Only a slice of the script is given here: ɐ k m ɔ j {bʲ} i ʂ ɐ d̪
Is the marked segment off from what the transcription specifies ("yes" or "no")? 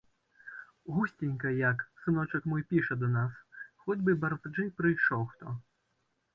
yes